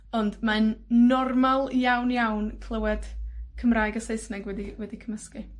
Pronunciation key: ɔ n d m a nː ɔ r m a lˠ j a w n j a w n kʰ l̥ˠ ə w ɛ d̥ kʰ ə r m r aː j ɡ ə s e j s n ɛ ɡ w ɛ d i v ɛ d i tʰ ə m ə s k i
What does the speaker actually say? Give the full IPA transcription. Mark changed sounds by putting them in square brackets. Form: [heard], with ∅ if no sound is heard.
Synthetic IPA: ɔ n d m a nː ɔ r m a lˠ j a w n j a w n kʰ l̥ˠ ə w ɛ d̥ kʰ ə [∅] m r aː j ɡ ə s e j s n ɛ ɡ w ɛ d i [w] ɛ d i [kʰ] ə m ə s k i